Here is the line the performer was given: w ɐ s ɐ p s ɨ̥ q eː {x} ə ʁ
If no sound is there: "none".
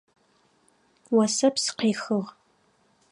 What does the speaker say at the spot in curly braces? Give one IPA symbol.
x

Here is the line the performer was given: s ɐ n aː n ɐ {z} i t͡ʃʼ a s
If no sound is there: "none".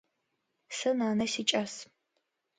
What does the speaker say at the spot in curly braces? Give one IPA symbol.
s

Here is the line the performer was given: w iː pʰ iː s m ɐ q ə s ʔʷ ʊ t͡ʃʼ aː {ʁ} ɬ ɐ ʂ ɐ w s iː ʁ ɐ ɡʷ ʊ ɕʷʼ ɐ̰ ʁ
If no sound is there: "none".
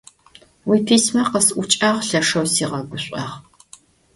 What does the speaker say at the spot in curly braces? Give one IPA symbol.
ʁ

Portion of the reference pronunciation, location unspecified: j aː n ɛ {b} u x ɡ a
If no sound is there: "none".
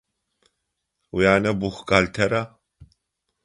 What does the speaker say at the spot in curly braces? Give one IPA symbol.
b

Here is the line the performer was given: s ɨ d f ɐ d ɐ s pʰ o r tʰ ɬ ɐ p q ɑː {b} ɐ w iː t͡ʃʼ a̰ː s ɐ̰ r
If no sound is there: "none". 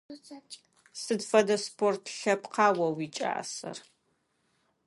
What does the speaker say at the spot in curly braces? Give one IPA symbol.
w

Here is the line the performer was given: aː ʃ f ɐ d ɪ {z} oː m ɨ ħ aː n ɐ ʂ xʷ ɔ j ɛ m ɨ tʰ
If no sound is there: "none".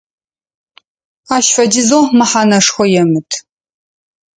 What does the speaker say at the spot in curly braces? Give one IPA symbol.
z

